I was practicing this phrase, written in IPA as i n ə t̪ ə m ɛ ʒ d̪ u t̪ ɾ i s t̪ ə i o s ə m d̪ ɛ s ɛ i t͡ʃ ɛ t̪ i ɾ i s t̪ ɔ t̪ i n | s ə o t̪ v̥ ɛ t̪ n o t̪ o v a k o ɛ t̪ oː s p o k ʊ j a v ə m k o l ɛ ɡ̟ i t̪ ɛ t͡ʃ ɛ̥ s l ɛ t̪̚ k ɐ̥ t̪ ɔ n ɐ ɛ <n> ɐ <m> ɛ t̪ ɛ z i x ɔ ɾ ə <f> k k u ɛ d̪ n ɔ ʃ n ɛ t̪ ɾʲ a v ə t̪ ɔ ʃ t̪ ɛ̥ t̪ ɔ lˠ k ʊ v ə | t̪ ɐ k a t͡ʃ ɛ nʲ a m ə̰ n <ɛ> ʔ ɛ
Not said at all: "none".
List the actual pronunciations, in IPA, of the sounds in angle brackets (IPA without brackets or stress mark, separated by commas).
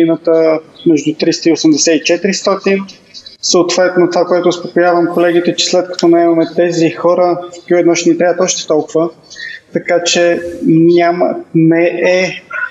m, m, f, ɛ